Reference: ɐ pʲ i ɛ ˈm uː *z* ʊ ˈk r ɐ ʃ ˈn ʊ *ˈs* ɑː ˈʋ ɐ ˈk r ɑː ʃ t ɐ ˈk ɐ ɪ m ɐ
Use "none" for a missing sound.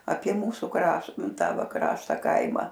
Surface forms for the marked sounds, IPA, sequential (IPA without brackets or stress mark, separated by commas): s, t